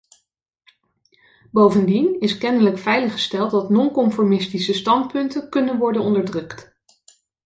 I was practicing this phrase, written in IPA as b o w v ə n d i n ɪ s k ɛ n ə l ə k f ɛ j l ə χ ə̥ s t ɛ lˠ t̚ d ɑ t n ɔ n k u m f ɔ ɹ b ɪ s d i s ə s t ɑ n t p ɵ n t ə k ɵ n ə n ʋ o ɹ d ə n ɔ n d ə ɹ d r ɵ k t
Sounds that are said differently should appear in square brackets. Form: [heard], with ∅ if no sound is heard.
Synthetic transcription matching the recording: b o w v ə n d i n ɪ s k ɛ n ə l ə k f ɛ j l ə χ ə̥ s t ɛ lˠ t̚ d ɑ t n ɔ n k [ɔ] m f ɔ ɹ [m] ɪ s [t] i s ə s t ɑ n t p ɵ n t ə k ɵ n ə n ʋ [ɔ] ɹ d ə n ɔ n d ə ɹ d r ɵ k t